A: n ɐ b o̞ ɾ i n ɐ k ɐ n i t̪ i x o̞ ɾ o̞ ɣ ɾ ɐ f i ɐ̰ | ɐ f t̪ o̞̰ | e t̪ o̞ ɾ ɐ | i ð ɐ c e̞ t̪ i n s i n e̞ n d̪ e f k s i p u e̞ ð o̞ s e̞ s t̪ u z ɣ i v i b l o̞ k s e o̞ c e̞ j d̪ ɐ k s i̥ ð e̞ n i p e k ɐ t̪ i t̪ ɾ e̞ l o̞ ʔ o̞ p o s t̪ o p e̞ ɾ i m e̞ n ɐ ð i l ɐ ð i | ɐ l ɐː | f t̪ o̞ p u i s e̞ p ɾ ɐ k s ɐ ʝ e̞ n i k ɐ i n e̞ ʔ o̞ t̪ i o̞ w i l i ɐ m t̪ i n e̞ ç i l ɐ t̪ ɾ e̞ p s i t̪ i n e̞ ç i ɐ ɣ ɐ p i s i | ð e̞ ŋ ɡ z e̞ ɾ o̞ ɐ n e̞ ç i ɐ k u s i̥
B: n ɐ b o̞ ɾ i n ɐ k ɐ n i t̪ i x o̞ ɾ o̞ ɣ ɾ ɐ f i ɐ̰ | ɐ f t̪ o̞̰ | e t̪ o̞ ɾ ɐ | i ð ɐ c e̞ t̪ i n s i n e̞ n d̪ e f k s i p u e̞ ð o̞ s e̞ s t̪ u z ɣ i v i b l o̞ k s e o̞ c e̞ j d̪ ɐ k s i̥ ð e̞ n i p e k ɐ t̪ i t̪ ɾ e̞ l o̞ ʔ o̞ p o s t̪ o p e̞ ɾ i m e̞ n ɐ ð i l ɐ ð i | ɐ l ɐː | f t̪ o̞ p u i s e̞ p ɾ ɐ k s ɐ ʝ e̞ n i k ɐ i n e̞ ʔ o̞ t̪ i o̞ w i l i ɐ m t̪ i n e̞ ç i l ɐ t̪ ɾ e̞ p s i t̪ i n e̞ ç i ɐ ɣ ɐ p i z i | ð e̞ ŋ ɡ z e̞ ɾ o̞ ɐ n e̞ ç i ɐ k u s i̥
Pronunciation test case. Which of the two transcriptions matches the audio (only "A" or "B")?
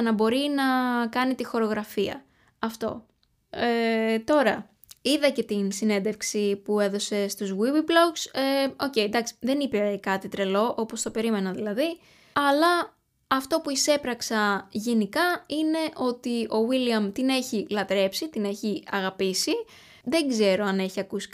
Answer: A